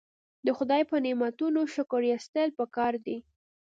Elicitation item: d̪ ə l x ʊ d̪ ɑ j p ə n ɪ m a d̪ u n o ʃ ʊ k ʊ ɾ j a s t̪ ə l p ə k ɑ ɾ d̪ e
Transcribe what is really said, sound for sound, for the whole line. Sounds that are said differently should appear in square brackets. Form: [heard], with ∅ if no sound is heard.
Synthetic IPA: d̪ ə [∅] x ʊ d̪ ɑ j p ə n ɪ m a [t̪] u n o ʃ ʊ k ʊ ɾ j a s t̪ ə l p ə k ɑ ɾ d̪ [i]